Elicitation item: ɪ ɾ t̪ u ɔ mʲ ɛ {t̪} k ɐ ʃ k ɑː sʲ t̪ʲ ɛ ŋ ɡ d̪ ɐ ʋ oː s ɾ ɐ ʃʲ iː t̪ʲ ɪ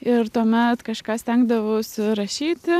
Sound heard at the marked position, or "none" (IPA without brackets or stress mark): t̪